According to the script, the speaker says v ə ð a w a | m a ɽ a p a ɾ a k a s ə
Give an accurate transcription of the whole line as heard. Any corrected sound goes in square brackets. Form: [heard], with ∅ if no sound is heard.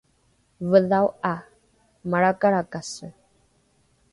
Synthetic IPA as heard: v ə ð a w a | m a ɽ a [k] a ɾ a k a s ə

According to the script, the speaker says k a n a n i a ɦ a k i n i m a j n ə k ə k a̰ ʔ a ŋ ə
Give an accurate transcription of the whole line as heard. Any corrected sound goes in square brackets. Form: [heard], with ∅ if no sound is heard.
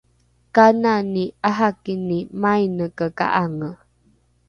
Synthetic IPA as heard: k a n a n i a ɦ a k i n i m a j n ə k ə k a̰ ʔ a ŋ ə

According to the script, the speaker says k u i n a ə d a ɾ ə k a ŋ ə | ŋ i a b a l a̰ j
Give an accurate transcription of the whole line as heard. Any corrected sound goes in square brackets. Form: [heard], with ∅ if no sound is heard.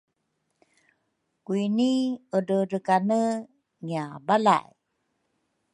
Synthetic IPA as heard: k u i n [i] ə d [ə] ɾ ə k a [n] ə | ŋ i a b a l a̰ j

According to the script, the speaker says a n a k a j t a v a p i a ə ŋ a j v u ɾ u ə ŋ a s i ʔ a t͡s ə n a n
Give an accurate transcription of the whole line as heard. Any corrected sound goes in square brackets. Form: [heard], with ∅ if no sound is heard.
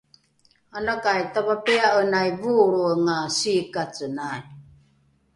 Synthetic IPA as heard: a n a k a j t a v a p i a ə [n] a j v u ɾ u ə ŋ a s i [k] a t͡s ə n a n

